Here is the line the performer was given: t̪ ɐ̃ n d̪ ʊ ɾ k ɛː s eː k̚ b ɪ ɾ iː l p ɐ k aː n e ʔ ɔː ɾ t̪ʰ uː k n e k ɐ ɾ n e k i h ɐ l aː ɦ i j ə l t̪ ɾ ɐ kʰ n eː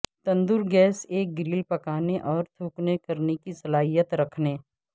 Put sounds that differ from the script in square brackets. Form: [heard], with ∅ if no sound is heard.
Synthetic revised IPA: t̪ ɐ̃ n d̪ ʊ ɾ [ɡ] ɛː s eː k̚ [ɡ] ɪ ɾ iː l p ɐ k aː n e ʔ ɔː ɾ t̪ʰ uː k n e k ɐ ɾ n e k i [s] ɐ l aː ɦ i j ə [∅] t̪ ɾ ɐ kʰ n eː